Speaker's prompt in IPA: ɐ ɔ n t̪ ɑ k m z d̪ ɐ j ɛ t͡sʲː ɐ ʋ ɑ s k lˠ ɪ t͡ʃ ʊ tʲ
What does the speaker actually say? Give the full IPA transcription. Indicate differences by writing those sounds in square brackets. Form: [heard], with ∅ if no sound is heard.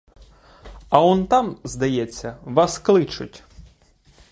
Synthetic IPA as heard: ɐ ɔ n t̪ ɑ [∅] m z d̪ ɐ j ɛ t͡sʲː ɐ ʋ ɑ s k lˠ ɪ t͡ʃ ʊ tʲ